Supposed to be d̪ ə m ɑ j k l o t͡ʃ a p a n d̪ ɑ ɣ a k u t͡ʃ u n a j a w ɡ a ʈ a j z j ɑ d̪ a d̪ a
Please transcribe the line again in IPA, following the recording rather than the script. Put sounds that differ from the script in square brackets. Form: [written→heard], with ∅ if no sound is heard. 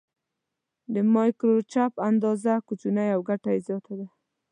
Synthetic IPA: d̪ ə m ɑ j k [l→ɾ] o t͡ʃ a p a n d̪ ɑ [ɣ→z] a k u t͡ʃ u n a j a w ɡ a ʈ a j z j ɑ [d̪→t̪] a d̪ a